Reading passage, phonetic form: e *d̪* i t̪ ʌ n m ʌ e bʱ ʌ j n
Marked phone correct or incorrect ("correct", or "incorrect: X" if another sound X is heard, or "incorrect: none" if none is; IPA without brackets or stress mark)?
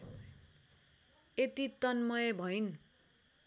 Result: incorrect: t̪